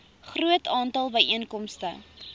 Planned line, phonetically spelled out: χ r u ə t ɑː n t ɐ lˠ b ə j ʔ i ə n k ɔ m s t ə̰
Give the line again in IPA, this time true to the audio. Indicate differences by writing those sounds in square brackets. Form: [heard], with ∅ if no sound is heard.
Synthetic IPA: χ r u ə t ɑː n t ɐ lˠ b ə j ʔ i ə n k ɔ m s t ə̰

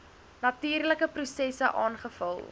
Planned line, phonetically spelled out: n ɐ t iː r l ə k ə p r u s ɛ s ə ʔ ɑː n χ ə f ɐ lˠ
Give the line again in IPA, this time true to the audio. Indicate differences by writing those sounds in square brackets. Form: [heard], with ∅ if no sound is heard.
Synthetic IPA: n ɐ t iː r l ə k ə p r u s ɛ s ə ʔ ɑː n χ ə f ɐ lˠ

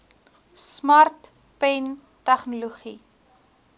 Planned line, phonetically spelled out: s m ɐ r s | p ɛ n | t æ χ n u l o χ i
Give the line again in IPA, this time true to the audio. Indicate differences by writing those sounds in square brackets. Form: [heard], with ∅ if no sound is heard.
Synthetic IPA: s m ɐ r [t] | p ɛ n | t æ χ n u l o χ i

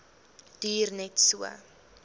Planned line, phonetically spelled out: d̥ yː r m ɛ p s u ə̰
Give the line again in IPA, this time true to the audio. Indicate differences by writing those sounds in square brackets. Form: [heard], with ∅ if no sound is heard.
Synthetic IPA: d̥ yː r [n] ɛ [t] s u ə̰

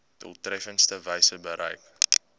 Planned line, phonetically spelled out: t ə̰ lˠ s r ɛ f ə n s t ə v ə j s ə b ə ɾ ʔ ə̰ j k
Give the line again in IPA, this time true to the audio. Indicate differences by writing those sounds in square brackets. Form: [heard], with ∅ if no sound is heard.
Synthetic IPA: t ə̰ lˠ [t] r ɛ f ə n s t ə v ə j s ə b ə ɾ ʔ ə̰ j k

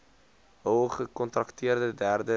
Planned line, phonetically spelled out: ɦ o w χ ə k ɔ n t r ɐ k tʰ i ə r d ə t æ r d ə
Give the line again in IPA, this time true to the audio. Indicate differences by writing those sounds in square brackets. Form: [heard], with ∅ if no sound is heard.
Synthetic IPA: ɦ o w χ ə k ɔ n t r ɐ k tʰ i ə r d ə [d] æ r d ə

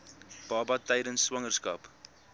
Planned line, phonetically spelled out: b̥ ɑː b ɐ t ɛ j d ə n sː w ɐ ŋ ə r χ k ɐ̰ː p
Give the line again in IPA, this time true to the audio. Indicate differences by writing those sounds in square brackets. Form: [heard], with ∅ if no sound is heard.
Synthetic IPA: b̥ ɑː b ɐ t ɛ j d ə n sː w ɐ ŋ ə r [s] k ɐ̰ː p

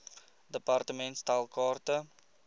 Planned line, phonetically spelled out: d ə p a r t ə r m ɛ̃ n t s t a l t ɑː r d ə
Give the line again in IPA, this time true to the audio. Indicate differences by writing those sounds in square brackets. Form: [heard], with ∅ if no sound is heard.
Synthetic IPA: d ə p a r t ə [∅] m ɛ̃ n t s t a l [k] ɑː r [t] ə

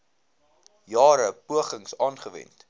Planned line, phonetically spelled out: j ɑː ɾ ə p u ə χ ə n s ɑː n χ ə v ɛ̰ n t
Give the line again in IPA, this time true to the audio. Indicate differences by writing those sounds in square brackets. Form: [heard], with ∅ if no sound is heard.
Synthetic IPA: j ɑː ɾ ə p u ə χ ə [ŋ] s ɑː n χ ə v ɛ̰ n t

